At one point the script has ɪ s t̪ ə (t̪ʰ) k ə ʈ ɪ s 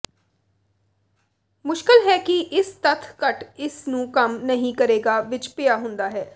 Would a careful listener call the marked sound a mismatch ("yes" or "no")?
no